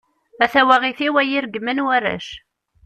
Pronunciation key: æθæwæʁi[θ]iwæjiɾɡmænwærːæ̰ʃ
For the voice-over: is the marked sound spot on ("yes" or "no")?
yes